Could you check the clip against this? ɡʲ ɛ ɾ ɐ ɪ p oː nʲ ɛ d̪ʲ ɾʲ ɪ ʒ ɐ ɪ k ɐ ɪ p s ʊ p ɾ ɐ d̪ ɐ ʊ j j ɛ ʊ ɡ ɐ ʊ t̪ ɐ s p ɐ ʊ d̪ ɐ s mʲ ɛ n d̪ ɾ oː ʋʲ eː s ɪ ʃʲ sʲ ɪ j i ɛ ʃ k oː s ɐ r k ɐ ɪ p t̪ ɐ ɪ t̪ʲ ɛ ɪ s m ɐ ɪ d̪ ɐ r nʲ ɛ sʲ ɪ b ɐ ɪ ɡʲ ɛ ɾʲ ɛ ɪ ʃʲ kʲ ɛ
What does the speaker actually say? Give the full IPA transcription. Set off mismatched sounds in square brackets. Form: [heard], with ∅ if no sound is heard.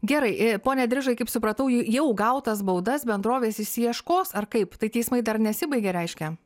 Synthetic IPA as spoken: ɡʲ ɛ ɾ ɐ ɪ p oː nʲ ɛ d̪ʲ ɾʲ ɪ ʒ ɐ ɪ k ɐ ɪ p s ʊ p ɾ ɐ [t̪] ɐ ʊ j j ɛ ʊ ɡ ɐ ʊ t̪ ɐ s [b] ɐ ʊ d̪ ɐ s [bʲ] ɛ n d̪ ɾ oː ʋʲ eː s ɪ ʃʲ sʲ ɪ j i ɛ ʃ k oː s ɐ r k ɐ ɪ p t̪ ɐ ɪ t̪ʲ ɛ ɪ s m ɐ ɪ d̪ ɐ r nʲ ɛ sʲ ɪ b ɐ ɪ ɡʲ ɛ ɾʲ ɛ ɪ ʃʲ kʲ ɛ

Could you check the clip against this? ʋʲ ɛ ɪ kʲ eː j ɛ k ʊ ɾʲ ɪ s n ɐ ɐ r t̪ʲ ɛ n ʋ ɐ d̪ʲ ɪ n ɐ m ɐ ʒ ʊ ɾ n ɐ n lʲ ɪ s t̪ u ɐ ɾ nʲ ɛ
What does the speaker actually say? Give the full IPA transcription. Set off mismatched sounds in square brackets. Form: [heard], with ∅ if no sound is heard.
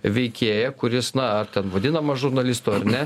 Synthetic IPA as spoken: ʋʲ ɛ ɪ kʲ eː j ɛ k ʊ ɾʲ ɪ s n ɐ ɐ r t̪ʲ ɛ n ʋ ɐ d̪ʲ ɪ n ɐ m ɐ ʒ ʊ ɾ n ɐ [∅] lʲ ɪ s t̪ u ɐ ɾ nʲ ɛ

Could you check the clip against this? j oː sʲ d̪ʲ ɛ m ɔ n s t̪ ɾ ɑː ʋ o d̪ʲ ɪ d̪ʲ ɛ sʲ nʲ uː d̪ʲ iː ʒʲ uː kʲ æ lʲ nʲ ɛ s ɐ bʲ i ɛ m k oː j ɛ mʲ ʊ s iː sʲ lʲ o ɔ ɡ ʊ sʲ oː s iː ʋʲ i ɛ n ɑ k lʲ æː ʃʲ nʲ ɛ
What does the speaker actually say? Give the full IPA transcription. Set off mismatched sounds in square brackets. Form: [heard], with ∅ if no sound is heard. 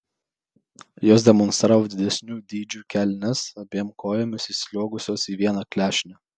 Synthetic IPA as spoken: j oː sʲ d̪ʲ ɛ m ɔ n s t̪ ɾ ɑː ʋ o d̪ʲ ɪ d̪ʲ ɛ sʲ nʲ uː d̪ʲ iː [d͡ʒʲ] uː kʲ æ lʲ nʲ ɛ s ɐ bʲ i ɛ m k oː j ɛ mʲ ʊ s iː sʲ lʲ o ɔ ɡ ʊ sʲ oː s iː ʋʲ i ɛ n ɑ k lʲ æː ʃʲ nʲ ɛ

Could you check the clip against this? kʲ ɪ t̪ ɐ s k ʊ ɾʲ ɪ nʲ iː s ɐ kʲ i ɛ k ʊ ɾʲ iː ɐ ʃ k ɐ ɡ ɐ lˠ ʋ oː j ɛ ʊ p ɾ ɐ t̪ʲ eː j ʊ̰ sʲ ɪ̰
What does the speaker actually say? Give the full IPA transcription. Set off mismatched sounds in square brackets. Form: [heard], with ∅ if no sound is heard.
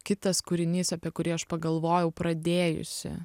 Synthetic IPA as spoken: kʲ ɪ t̪ ɐ s k ʊ ɾʲ ɪ nʲ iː s ɐ [pʲ] i ɛ k ʊ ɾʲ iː ɐ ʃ [p] ɐ ɡ ɐ lˠ ʋ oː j ɛ ʊ p ɾ ɐ [d̪ʲ] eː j ʊ̰ sʲ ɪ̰

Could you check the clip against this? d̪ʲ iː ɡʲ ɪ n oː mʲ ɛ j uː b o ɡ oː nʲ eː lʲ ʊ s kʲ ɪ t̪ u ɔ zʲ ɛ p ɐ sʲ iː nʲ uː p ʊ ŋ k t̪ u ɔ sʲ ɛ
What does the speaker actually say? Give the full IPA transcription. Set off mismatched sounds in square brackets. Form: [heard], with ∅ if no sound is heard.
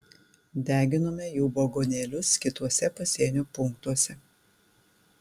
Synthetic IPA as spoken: d̪ʲ [æː] ɡʲ ɪ n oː mʲ ɛ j uː b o ɡ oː nʲ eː lʲ ʊ s kʲ ɪ t̪ u ɔ [sʲ] ɛ p ɐ sʲ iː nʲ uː p ʊ ŋ k t̪ u ɔ sʲ ɛ

